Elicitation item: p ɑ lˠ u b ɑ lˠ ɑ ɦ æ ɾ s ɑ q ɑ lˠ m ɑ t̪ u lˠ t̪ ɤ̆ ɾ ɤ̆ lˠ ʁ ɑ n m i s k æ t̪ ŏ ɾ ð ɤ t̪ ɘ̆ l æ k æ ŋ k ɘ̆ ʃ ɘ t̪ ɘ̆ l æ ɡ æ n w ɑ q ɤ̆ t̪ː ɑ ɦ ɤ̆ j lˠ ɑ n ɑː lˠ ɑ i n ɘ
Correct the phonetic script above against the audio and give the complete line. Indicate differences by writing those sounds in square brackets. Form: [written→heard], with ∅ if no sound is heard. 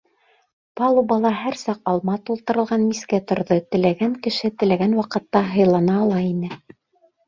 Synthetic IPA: p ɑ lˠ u b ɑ lˠ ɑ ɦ æ ɾ s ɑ q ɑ lˠ m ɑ t̪ u lˠ t̪ ɤ̆ ɾ ɤ̆ lˠ ʁ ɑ n m i s k æ t̪ ŏ ɾ ð ɤ t̪ ɘ̆ l æ [k→ɡ] æ ŋ k ɘ̆ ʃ ɘ t̪ ɘ̆ l æ ɡ æ n w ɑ q ɤ̆ t̪ː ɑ ɦ ɤ̆ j lˠ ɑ n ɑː lˠ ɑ i n ɘ